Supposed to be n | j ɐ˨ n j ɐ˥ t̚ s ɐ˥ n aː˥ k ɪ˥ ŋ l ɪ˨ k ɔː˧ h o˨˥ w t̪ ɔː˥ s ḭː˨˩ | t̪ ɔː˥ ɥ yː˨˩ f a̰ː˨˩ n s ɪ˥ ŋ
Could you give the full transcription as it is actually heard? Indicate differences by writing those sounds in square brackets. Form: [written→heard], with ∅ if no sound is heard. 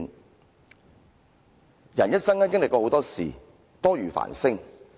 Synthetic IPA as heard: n | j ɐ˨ n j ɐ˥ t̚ s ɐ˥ [n→ŋ] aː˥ k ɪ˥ ŋ l ɪ˨ k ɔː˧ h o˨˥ w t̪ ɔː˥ s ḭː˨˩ | t̪ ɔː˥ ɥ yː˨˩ f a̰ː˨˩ n s ɪ˥ ŋ